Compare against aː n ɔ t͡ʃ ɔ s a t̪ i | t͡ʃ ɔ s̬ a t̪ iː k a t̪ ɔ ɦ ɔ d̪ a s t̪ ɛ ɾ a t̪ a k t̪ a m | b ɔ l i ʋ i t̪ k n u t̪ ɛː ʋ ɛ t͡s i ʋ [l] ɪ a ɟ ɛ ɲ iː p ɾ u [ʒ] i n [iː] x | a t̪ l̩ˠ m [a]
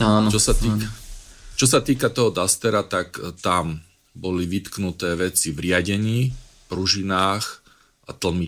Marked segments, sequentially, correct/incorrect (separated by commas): incorrect, correct, incorrect, incorrect